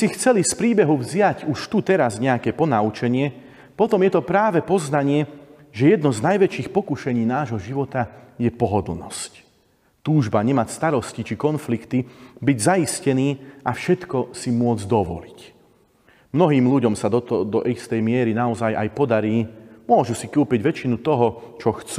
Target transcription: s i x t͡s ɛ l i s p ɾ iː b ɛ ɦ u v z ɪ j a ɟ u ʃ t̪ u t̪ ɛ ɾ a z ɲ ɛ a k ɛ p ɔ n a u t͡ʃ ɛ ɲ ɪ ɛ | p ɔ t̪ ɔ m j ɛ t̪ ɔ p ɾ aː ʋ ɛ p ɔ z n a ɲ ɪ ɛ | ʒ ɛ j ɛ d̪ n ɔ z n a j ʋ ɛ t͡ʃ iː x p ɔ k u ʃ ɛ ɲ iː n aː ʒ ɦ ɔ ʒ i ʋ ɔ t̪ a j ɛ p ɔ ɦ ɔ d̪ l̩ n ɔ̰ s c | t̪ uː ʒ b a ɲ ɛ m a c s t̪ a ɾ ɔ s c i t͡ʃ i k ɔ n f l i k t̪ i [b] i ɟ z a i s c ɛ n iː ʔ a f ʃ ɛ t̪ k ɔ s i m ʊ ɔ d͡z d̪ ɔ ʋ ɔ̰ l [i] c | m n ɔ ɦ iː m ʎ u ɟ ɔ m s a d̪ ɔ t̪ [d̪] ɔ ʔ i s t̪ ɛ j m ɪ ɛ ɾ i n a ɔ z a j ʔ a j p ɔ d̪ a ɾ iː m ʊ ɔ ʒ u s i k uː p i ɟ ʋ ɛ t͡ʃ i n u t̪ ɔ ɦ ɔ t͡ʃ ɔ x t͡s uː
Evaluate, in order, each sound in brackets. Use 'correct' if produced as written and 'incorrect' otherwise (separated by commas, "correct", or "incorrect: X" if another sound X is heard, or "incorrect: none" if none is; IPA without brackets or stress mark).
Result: correct, correct, correct